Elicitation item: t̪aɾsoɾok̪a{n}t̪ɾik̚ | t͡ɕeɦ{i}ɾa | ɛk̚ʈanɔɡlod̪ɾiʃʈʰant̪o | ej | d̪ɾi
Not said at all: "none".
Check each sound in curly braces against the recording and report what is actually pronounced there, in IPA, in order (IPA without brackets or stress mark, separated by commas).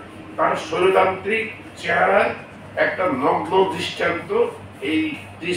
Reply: n, a